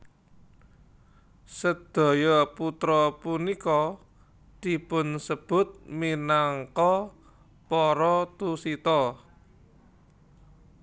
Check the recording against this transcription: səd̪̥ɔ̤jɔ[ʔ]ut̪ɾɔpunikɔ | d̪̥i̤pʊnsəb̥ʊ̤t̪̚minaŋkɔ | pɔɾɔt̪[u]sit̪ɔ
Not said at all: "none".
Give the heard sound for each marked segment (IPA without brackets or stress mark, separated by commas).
p, u